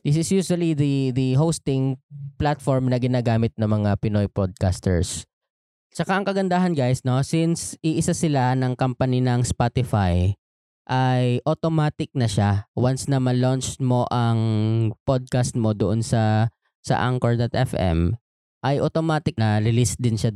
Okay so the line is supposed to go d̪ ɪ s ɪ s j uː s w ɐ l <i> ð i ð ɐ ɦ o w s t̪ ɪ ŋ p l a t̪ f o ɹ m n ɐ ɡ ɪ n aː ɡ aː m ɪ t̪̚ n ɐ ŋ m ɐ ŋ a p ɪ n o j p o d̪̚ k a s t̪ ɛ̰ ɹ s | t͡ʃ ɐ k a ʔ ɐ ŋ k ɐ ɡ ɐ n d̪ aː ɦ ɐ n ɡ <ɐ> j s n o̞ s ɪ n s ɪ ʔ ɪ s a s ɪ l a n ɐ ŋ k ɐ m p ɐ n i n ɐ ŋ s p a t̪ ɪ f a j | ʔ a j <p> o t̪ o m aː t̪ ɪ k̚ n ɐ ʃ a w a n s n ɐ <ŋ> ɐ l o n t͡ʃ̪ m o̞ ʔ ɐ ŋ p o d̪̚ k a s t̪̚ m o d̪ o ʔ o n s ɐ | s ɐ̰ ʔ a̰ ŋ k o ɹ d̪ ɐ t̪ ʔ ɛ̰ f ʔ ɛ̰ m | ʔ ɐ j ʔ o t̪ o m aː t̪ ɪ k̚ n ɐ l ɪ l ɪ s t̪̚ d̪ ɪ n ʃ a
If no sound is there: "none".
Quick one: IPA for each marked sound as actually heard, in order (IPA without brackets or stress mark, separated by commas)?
i, a, ʔ, m